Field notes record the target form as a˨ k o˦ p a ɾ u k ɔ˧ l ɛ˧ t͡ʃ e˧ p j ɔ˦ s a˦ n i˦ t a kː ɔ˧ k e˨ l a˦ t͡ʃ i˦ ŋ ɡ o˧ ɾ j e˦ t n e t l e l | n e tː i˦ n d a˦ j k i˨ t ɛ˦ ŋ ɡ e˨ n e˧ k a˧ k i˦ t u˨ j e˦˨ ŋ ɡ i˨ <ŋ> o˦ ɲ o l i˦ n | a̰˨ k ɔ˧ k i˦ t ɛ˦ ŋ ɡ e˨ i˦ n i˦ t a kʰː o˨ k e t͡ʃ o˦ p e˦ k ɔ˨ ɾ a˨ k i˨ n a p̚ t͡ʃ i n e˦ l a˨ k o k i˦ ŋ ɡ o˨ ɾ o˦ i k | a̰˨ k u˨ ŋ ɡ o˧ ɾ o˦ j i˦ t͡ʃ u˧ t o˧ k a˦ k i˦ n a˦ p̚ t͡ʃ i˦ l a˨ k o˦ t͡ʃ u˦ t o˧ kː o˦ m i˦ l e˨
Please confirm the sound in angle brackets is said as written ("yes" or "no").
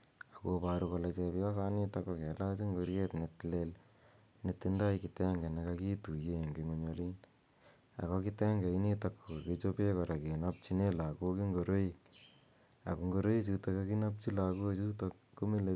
yes